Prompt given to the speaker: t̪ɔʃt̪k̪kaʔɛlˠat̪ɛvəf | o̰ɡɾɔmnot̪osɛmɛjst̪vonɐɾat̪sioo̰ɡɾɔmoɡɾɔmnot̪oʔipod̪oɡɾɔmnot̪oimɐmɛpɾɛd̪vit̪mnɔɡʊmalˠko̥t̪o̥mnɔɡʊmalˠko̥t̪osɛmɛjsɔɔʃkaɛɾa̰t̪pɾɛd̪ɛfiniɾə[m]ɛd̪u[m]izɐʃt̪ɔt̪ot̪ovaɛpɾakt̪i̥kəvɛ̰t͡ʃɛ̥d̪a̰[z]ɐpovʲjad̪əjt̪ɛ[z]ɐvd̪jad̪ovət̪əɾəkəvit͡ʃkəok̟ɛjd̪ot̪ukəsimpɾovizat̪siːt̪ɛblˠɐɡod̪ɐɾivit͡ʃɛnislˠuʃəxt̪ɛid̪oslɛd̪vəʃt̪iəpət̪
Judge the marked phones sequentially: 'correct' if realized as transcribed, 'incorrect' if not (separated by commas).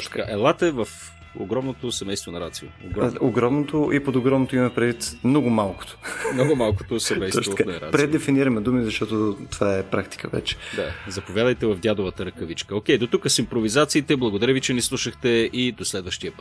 correct, correct, correct, incorrect